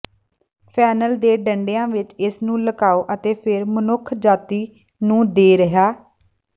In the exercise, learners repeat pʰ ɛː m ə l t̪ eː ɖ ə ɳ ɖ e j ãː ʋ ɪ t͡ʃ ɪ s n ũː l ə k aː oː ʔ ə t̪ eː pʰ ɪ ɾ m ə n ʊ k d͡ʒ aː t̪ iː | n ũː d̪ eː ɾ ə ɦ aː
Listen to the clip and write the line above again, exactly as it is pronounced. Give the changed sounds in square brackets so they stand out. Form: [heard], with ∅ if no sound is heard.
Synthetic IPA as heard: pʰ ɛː [n] ə l [d̪] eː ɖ ə ɳ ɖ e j ãː ʋ ɪ t͡ʃ ɪ s n ũː l ə k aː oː ʔ ə t̪ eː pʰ ɪ ɾ m ə n ʊ [kʰ] d͡ʒ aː t̪ iː | n ũː d̪ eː ɾ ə ɦ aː